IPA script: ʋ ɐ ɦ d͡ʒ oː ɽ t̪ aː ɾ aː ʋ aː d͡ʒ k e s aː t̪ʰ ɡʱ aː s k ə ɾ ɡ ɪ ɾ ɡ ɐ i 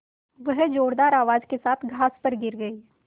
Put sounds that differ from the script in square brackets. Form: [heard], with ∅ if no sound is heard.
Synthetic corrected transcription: ʋ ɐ ɦ d͡ʒ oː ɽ [d̪] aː ɾ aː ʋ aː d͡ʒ k e s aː t̪ʰ ɡʱ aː s [p] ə ɾ ɡ ɪ ɾ ɡ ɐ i